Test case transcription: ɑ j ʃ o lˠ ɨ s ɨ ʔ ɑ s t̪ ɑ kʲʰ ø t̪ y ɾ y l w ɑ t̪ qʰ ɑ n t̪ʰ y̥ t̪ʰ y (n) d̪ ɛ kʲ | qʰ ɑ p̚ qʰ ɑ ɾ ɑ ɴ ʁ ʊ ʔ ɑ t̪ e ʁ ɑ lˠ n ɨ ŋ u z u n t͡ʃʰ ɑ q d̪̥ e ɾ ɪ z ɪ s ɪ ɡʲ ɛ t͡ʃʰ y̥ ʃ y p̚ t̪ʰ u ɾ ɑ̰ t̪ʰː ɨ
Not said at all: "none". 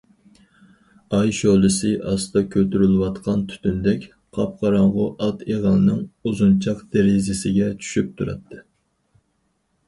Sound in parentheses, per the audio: n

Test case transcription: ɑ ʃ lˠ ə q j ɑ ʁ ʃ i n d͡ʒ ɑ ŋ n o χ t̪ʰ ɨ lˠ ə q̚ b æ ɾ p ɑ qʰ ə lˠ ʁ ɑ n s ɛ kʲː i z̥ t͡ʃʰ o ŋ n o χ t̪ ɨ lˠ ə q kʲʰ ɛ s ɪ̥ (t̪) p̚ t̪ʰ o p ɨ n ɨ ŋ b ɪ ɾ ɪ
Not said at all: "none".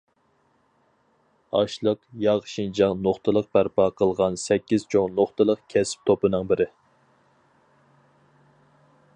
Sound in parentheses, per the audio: none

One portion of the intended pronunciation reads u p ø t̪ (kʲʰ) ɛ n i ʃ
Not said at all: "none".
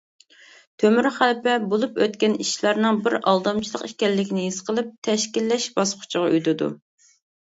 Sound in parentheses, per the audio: kʲ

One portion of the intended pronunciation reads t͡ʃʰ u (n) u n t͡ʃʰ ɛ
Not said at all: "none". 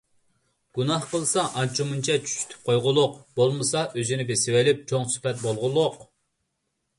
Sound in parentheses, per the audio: m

